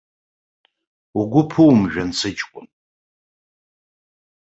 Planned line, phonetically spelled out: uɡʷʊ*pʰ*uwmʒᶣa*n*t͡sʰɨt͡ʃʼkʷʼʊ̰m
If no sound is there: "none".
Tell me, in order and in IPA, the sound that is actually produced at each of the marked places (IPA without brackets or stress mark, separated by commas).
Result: pʰ, n